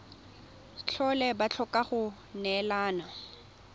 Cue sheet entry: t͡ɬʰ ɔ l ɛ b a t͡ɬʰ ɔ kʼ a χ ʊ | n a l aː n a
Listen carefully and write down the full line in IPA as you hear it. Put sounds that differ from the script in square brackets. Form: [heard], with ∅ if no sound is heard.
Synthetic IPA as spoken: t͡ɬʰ ɔ l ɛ b a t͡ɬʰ ɔ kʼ a χ ʊ | n [ɛ] l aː n a